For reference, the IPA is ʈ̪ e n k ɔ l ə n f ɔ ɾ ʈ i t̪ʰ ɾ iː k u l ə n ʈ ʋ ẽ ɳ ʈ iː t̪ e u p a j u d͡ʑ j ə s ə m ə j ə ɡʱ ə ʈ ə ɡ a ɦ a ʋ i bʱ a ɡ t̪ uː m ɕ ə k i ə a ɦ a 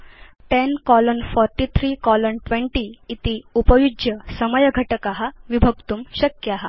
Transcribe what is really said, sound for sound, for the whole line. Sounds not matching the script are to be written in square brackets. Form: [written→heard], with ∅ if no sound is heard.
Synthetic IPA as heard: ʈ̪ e n k ɔ l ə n f ɔ ɾ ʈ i t̪ʰ ɾ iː k [u→ɔ] l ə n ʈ ʋ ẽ ɳ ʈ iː t̪ [e→i] u p [a→ə] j u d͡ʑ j ə s ə m ə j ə ɡʱ ə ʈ ə [ɡ→k] a ɦ a ʋ i bʱ [a→ə] ɡ t̪ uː m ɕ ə k [i→j] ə a ɦ a